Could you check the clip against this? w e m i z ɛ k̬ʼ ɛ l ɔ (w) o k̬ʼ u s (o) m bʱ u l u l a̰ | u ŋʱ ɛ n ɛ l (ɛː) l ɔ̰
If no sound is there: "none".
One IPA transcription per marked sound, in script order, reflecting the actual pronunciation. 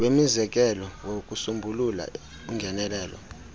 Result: w, u, ɛː

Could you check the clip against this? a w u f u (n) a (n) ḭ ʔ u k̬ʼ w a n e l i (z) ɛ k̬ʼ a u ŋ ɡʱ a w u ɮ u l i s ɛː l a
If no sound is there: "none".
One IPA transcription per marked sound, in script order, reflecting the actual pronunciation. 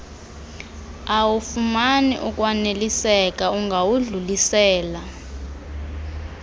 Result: m, n, s

